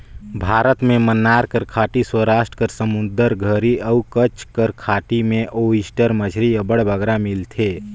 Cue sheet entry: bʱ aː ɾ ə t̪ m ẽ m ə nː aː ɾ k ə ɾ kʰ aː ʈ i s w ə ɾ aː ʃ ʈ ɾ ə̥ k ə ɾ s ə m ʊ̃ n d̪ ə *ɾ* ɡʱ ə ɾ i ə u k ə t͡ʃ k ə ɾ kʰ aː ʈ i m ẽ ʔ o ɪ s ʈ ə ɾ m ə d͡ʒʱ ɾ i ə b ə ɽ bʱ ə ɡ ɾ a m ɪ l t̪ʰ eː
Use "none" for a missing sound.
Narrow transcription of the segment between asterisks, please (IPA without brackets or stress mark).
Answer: ɾ